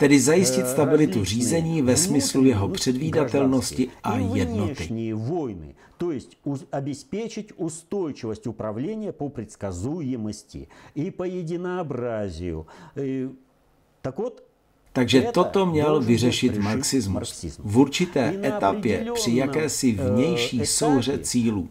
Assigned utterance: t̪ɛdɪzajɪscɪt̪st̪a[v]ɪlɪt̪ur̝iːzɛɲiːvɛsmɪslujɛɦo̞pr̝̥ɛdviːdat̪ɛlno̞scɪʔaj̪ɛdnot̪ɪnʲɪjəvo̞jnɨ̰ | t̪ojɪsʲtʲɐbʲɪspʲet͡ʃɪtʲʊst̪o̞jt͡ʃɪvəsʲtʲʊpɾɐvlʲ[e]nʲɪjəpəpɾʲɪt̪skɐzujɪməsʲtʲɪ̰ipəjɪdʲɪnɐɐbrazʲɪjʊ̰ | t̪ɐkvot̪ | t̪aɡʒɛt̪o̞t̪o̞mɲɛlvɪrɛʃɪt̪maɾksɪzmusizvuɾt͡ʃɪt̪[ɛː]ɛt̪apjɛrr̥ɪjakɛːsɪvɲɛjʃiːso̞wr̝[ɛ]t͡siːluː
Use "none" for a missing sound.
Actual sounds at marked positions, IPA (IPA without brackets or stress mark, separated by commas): b, e, ɛː, ɛ